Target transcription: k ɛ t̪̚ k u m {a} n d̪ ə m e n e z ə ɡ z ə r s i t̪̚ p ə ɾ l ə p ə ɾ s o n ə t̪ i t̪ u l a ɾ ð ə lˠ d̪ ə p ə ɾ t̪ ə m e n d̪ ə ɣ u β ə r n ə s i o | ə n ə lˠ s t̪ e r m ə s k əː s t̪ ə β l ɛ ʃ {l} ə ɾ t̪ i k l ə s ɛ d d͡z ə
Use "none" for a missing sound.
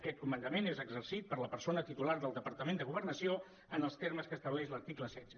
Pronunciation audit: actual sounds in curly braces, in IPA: ə, l

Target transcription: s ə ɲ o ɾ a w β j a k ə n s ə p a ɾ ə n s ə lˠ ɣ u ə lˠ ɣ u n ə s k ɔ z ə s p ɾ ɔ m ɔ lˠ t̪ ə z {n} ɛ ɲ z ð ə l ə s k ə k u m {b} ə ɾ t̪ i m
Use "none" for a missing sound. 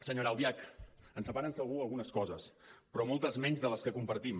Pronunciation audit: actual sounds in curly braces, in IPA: m, p

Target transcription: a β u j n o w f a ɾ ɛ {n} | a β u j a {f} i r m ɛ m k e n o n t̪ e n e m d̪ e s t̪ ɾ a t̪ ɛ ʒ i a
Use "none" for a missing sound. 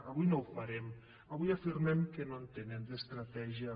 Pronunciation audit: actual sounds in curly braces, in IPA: m, f

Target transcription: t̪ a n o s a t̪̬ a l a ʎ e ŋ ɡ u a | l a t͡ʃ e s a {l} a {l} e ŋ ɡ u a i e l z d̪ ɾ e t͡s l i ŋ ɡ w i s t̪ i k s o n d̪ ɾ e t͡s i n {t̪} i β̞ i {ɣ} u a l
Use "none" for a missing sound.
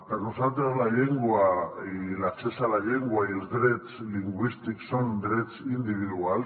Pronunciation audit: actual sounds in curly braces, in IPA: l, ʎ, d̪, ð

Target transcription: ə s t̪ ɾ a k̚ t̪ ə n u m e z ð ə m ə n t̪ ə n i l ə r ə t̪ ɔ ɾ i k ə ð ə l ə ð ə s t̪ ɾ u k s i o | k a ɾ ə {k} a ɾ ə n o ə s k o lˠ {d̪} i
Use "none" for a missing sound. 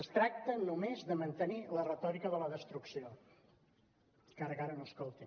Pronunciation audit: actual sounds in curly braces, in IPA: k, t̪

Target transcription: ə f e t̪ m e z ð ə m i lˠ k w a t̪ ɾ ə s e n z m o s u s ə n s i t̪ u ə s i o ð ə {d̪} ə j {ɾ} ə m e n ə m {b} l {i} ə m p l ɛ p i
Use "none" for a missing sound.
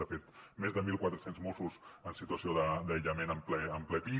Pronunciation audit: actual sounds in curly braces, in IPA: d̪, ʎ, p, ɛ

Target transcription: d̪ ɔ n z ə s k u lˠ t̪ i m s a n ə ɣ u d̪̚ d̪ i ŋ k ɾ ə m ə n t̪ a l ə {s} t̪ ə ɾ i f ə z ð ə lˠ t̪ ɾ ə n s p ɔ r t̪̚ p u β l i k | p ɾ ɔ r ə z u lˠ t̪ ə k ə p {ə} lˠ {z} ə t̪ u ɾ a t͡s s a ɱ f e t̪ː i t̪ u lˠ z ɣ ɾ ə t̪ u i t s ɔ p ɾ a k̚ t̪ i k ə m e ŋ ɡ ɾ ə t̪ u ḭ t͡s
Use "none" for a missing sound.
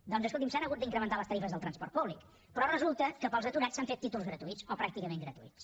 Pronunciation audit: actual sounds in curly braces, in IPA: s, ə, z

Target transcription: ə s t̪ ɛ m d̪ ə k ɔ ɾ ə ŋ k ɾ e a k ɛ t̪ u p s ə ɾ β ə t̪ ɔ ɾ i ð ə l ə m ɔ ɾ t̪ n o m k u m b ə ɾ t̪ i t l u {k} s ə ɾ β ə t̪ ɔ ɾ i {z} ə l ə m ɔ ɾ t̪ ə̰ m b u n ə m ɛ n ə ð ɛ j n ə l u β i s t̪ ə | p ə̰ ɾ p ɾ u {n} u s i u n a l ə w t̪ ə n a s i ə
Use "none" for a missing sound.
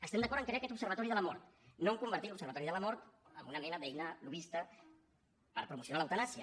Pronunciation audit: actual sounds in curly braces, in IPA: p, ð, m

